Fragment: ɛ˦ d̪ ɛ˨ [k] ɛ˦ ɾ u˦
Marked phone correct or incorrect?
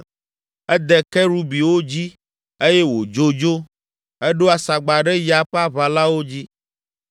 correct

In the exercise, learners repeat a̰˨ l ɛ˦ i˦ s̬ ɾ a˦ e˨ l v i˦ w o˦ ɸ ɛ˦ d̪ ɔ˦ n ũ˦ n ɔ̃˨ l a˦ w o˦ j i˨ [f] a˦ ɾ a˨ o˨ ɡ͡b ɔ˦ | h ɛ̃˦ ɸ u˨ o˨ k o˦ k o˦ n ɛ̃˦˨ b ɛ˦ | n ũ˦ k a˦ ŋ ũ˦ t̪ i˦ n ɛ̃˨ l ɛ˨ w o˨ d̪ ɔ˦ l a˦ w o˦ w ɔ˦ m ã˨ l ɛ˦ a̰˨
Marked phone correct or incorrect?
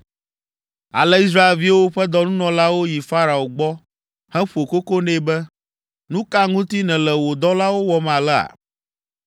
correct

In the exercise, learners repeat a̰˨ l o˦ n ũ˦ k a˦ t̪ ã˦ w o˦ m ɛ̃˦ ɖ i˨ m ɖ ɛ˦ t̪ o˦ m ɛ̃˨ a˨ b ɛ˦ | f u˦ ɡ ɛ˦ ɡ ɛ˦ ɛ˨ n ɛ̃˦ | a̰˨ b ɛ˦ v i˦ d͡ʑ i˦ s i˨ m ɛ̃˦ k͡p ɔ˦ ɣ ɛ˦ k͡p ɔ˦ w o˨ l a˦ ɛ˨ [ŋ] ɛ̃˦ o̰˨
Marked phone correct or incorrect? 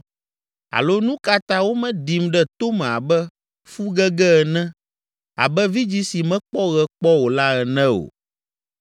incorrect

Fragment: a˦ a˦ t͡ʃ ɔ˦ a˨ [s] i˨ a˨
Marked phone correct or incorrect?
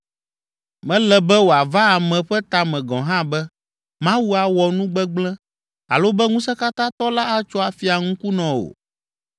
incorrect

